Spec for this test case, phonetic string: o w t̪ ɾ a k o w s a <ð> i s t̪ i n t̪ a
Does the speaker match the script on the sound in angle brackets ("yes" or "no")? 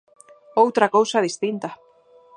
yes